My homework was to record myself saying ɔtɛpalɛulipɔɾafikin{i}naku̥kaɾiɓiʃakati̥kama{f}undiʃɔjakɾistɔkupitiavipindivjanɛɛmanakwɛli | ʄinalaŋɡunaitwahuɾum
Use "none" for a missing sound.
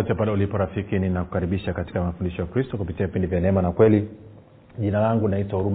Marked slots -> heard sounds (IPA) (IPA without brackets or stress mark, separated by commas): i, f